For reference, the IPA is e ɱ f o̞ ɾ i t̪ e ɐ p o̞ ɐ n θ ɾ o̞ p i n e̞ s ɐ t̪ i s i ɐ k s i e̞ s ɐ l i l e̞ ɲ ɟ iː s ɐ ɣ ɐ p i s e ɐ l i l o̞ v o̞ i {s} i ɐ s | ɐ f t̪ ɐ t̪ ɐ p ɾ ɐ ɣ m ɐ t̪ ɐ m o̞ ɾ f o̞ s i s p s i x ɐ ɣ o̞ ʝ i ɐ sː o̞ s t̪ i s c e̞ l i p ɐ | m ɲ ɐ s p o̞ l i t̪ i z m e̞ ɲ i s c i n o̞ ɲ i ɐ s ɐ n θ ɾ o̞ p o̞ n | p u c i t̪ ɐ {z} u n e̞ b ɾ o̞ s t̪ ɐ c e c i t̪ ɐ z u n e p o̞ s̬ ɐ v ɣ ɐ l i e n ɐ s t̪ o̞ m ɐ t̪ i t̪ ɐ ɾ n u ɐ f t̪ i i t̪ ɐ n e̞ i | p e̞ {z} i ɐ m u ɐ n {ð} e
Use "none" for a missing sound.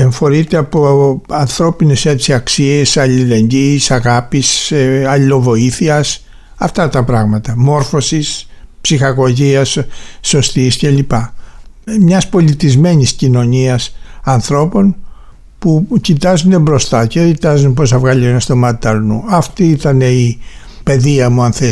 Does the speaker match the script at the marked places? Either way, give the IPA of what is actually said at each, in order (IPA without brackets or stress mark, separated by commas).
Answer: θ, z, ð, θ